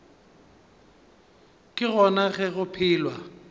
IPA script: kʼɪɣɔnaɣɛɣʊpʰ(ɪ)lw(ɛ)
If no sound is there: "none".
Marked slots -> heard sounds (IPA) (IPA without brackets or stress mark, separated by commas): ɪː, a